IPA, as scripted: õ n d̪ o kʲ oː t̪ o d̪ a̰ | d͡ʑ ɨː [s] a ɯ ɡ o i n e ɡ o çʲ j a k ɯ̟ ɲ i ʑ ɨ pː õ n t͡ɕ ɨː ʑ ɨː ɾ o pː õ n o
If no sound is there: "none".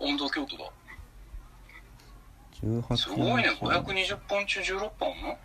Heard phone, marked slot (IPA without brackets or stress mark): h